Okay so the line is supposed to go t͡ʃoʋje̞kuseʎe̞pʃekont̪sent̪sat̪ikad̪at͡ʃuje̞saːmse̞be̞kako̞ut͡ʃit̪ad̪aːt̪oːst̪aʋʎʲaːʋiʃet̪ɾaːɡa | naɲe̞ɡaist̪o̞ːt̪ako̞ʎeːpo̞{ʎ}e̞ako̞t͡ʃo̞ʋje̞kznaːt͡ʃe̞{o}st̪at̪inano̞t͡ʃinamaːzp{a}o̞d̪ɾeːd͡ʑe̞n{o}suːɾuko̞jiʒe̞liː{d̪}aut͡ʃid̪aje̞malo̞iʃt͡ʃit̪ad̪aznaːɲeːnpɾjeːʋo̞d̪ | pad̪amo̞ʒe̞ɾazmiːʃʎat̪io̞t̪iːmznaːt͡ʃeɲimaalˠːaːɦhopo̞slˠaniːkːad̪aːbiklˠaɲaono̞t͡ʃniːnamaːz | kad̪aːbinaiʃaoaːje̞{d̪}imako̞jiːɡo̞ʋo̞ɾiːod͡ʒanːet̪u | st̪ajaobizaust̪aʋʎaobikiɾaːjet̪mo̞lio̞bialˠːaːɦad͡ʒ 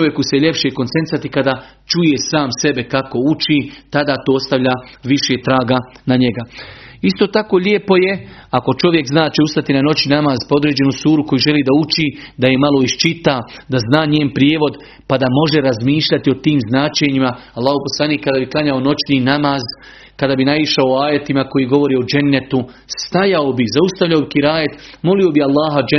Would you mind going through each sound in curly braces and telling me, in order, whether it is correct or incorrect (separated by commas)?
incorrect, incorrect, correct, incorrect, correct, incorrect